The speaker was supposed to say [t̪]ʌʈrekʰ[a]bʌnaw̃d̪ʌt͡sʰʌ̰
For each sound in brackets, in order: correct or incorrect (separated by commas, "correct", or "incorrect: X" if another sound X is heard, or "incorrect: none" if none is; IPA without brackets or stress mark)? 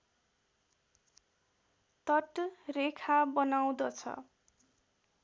correct, correct